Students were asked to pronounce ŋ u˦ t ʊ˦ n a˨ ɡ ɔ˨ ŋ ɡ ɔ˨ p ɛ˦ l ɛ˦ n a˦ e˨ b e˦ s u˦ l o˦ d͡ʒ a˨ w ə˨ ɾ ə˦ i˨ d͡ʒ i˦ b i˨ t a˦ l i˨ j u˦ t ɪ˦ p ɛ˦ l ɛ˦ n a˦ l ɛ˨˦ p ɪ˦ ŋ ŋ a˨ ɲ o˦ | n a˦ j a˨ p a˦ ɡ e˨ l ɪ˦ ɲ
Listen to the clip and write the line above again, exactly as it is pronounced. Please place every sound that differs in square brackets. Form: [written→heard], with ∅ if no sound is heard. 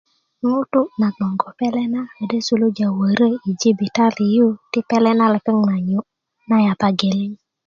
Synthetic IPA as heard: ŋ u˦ t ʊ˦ n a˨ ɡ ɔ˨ ŋ ɡ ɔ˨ p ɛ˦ l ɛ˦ n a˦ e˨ [b→d] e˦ s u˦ l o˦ d͡ʒ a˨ w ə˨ ɾ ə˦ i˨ d͡ʒ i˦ b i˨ t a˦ l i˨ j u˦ t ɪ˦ p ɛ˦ l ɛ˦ n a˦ l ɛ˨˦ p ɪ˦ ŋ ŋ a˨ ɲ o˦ | n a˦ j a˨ p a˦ ɡ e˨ l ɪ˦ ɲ